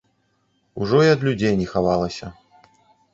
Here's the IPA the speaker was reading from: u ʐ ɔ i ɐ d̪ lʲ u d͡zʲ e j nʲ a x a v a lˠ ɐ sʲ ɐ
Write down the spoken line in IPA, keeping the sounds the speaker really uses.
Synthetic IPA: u ʐ ɔ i ɐ d̪ lʲ u d͡zʲ e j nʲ ɛ x a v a lˠ ɐ sʲ ɐ